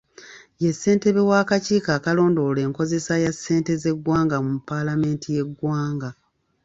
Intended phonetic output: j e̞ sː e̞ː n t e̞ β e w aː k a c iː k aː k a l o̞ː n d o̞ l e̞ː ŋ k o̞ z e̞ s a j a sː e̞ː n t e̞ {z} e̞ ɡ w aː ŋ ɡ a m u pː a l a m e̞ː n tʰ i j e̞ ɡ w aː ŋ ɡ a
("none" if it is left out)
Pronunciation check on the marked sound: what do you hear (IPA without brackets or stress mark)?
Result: z